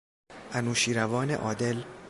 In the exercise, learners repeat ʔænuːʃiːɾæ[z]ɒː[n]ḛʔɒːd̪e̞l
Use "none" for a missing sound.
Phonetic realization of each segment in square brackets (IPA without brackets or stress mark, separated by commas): v, n